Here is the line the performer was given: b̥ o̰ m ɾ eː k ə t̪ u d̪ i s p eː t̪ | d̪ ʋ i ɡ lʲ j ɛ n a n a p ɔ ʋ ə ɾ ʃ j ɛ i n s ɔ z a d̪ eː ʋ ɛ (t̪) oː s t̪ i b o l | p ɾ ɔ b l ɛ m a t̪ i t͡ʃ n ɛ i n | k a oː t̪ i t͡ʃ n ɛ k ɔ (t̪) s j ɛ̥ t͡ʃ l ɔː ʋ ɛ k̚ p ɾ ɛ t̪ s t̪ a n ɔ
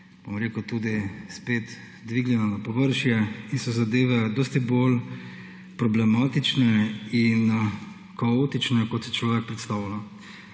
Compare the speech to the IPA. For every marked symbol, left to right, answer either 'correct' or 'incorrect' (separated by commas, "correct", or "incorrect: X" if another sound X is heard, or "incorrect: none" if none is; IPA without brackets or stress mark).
incorrect: d̪, correct